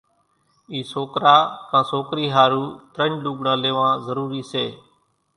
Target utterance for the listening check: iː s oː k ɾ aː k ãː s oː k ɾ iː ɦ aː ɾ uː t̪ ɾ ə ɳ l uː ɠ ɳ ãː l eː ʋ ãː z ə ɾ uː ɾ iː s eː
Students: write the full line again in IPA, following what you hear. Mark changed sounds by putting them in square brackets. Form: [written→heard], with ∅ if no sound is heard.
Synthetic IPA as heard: iː s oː k ɾ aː k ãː s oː k ɾ iː ɦ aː ɾ uː t̪ ɾ ə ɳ l uː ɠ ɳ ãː l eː ʋ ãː z ə ɾ uː ɾ iː s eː

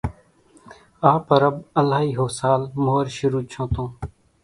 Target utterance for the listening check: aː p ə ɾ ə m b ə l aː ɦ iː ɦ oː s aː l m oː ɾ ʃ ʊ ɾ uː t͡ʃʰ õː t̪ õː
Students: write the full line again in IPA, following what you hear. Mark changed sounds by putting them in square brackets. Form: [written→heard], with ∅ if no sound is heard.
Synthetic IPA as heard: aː p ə ɾ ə [m→∅] b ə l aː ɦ iː ɦ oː s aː l m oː ɾ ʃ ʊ ɾ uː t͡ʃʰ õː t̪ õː

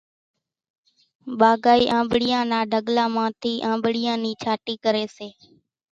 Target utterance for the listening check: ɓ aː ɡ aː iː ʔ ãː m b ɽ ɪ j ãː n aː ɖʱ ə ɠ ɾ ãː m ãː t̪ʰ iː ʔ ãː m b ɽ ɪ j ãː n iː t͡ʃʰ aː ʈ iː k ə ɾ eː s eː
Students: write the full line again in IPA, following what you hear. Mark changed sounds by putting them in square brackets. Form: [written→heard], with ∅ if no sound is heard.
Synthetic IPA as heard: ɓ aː ɡ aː iː ʔ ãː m b ɽ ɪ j ãː n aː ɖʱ ə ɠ [ɾ→l] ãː m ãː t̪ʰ iː ʔ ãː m b ɽ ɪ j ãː n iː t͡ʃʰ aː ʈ iː k ə ɾ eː s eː

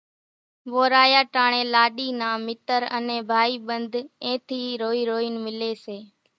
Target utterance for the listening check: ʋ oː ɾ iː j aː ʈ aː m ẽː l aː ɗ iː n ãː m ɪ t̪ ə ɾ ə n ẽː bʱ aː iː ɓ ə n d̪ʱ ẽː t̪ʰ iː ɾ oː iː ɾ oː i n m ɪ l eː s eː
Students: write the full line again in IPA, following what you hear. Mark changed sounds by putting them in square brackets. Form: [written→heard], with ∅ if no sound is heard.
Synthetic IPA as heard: ʋ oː ɾ [iː→aː] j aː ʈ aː [m→ɳ] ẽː l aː ɗ iː n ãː m ɪ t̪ ə ɾ ə n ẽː bʱ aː iː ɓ ə n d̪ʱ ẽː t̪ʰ iː ɾ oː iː ɾ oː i n m ɪ l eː s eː

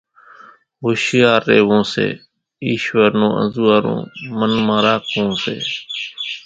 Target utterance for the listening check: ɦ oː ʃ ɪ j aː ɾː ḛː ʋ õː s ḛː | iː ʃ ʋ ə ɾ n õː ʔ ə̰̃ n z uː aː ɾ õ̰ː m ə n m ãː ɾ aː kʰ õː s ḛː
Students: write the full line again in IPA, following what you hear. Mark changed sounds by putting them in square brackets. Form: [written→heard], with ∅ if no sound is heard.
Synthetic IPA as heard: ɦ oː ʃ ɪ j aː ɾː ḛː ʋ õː s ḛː | iː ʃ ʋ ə ɾ n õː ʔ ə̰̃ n z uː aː ɾ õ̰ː m ə n m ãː ɾ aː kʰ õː s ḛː

